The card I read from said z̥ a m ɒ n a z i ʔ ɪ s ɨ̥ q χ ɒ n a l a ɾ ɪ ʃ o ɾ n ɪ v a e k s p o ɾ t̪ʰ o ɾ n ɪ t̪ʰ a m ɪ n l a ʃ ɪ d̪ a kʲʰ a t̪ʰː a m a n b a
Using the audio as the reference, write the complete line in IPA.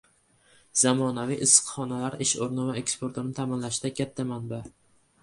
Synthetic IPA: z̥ a m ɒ n a v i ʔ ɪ s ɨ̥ q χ ɒ n a l a ɾ ɪ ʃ o ɾ n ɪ v a e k s p o ɾ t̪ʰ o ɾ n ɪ t̪ʰ a m ɪ n l a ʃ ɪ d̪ a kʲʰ a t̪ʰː a m a n b a